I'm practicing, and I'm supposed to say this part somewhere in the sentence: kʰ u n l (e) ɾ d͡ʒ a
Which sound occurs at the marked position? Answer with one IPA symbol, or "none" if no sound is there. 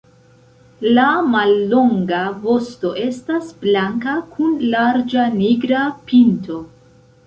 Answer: a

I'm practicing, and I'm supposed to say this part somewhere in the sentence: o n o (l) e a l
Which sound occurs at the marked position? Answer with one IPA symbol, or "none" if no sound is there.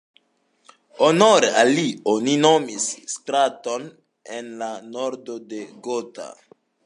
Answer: ɾ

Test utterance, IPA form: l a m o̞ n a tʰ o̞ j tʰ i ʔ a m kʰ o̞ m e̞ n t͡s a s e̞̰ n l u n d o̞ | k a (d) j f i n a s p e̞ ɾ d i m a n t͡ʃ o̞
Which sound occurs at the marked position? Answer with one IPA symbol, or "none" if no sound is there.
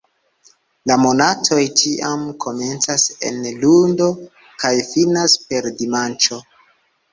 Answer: none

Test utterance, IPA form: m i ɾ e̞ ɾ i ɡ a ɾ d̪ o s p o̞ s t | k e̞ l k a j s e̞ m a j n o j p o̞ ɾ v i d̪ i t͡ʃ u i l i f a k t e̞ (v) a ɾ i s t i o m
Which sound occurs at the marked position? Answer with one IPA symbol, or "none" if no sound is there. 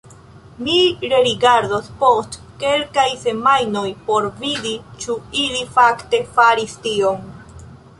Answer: f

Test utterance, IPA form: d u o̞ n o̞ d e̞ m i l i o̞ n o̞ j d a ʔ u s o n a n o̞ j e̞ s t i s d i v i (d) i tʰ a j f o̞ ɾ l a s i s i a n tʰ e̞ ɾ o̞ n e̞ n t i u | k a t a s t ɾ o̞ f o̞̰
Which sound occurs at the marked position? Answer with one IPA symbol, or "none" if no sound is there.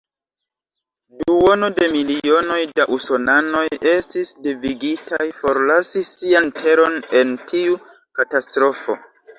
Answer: ɡ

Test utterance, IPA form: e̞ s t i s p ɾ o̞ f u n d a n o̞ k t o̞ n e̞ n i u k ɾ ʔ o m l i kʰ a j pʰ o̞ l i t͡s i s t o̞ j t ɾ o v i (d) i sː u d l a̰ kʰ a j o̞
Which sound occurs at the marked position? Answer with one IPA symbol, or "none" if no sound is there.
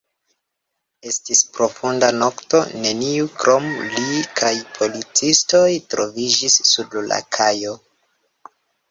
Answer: d͡ʒ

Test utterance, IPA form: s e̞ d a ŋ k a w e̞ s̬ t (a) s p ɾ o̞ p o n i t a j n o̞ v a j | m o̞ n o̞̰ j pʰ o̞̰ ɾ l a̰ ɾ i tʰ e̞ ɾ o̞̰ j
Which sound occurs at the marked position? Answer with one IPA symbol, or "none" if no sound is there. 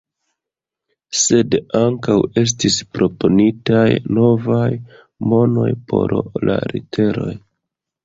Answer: i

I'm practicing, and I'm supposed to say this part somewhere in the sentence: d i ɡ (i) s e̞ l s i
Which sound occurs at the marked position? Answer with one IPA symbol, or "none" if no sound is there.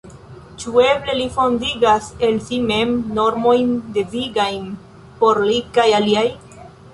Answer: a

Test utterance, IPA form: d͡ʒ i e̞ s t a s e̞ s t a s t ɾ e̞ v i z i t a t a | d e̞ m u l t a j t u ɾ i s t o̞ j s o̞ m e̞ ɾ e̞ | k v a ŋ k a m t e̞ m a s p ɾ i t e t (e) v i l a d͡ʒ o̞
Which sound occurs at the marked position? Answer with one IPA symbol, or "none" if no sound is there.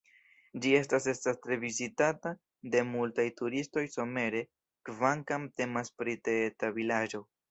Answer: a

